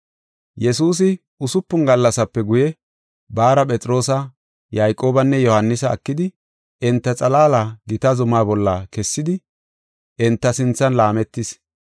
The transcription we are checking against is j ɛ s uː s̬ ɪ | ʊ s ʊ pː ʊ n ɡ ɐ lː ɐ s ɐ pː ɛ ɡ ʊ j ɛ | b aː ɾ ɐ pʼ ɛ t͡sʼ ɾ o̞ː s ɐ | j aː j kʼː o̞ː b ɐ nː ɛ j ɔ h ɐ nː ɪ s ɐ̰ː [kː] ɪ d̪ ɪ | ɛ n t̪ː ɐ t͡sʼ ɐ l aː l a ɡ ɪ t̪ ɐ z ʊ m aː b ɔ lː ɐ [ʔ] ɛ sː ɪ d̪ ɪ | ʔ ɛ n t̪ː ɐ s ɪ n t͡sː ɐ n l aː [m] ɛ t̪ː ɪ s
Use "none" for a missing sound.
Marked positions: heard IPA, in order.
kː, k, m

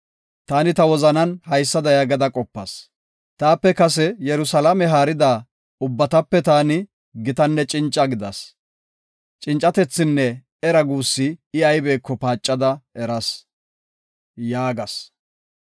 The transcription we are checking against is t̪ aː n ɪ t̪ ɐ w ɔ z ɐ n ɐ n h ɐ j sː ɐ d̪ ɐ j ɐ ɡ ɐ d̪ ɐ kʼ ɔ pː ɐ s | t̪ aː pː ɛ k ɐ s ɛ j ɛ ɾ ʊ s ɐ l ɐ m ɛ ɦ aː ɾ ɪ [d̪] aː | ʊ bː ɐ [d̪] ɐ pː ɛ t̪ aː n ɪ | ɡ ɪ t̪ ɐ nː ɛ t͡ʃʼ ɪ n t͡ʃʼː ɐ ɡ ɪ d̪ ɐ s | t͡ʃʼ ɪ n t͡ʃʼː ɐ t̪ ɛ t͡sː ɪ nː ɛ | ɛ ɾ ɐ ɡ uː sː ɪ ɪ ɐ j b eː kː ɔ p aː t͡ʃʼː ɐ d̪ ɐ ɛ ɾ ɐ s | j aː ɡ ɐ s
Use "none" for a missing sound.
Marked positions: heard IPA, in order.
d̪, t̪

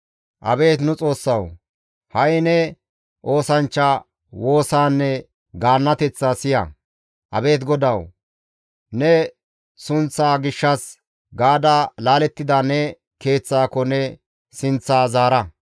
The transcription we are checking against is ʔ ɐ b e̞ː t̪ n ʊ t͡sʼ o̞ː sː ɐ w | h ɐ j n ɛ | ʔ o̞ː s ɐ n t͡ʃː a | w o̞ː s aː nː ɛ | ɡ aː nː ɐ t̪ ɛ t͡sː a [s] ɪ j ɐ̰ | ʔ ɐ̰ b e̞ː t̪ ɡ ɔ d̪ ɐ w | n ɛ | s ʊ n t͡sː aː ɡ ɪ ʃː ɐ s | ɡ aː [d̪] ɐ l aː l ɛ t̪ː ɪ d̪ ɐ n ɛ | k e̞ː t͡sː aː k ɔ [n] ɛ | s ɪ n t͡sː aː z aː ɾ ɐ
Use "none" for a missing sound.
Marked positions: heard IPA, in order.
s, d̪, n

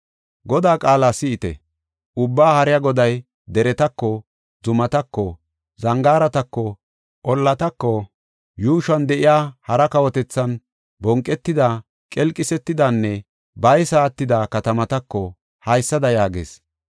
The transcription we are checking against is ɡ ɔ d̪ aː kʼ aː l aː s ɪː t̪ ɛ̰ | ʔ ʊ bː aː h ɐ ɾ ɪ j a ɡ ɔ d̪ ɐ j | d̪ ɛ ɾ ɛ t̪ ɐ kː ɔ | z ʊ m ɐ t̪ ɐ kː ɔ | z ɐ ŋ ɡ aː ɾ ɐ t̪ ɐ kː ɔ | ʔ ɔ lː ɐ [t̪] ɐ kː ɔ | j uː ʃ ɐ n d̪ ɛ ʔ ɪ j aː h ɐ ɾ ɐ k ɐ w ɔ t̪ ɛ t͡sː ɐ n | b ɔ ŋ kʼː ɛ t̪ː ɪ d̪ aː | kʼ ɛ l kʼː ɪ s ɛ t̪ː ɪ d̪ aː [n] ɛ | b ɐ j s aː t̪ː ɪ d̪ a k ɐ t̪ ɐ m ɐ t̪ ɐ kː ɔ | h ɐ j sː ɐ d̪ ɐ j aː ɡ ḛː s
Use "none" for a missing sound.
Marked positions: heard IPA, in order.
t̪, nː

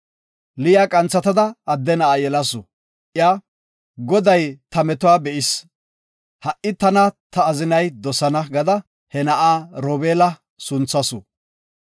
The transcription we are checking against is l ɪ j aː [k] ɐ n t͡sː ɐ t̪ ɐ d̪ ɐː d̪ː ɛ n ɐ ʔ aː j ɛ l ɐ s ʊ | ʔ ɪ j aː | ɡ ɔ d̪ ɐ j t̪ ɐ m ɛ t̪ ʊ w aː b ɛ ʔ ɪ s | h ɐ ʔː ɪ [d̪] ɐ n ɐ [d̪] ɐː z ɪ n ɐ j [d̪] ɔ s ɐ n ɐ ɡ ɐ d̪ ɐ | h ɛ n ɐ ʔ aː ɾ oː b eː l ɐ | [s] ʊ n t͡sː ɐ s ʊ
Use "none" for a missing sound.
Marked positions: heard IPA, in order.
kʼ, t̪, t̪, d̪, s

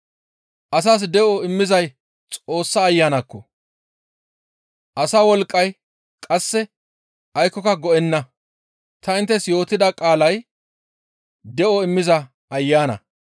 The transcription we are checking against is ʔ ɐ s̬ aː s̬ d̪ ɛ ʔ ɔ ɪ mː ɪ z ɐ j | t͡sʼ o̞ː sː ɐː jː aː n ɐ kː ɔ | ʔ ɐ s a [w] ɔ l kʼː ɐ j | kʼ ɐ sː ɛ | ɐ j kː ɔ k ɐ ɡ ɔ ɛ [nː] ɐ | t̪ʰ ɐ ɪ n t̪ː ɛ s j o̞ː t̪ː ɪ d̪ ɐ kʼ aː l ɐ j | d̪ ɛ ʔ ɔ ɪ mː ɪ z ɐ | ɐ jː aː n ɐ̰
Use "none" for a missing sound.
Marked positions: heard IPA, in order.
w, nː

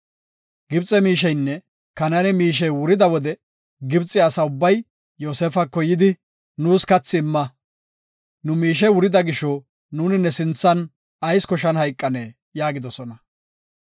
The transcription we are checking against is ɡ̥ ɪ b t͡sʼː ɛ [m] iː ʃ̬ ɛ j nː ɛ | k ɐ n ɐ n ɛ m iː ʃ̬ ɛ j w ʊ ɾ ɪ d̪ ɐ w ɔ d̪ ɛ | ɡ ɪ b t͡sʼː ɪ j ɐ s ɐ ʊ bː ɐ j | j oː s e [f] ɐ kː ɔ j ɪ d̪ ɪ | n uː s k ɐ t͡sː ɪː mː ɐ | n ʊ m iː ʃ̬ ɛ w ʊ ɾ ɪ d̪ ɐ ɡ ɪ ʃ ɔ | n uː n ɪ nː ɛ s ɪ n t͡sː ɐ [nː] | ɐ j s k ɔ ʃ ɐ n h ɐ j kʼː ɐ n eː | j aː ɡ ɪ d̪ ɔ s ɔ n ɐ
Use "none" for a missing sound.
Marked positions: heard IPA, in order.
m, f, n

